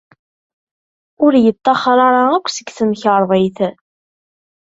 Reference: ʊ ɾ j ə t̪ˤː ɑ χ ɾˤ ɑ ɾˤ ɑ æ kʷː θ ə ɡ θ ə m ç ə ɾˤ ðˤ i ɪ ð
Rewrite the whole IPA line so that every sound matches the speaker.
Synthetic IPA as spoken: ʊ ɾ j ə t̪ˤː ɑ χ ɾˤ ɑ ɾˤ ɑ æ kʷː s ə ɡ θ ə m ç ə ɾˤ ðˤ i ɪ θ